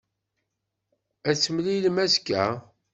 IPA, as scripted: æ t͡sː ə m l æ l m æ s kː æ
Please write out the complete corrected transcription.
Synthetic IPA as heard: æ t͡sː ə m l i l m æ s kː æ